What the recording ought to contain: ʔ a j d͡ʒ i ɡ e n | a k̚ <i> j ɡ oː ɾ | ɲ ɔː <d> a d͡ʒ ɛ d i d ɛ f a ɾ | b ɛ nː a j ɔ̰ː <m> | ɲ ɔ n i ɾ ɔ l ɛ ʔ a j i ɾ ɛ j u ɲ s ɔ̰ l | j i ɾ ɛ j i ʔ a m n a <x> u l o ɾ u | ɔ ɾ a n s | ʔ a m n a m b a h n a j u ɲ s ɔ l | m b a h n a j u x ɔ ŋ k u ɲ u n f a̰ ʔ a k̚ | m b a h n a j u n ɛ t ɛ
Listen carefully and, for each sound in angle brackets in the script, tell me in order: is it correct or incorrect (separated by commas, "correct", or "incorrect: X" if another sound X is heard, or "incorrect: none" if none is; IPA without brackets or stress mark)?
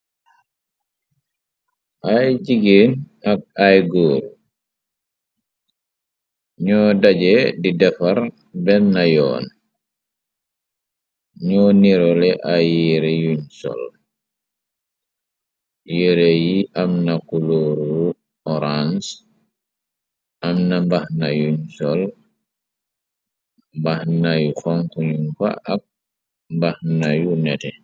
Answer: incorrect: a, correct, incorrect: n, incorrect: k